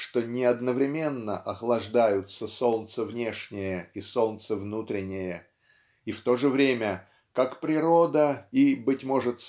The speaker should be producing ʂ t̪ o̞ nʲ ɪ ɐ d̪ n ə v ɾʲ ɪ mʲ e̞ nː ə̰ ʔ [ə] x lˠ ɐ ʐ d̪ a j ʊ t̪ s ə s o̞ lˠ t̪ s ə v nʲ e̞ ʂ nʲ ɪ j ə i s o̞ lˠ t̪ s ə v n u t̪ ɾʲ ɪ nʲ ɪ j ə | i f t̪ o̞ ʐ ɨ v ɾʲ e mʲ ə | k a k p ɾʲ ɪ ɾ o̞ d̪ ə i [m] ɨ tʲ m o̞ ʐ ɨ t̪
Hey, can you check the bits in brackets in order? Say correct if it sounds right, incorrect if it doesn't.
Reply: incorrect: ɐ, incorrect: b

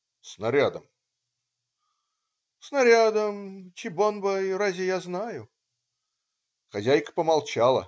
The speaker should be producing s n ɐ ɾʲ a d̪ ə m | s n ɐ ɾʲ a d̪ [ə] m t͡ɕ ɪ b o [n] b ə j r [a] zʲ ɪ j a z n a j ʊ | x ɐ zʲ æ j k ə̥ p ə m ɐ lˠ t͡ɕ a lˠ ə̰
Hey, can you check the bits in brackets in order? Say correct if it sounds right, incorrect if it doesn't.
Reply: correct, correct, correct

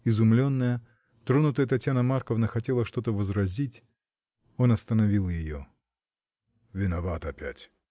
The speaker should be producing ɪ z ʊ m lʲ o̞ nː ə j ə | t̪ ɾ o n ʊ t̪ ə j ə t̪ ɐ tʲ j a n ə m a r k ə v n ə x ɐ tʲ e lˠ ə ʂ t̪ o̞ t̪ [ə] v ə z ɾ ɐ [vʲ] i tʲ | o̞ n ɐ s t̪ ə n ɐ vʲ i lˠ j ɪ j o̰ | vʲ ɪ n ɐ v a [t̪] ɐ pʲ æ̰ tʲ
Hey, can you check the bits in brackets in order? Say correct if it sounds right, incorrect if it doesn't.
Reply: correct, incorrect: zʲ, correct

